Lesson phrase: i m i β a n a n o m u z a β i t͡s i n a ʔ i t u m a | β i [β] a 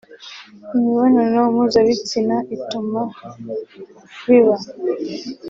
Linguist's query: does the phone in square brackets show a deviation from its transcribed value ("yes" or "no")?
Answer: no